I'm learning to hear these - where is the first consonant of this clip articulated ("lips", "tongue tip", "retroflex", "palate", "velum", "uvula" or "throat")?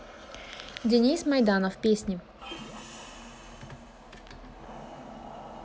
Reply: tongue tip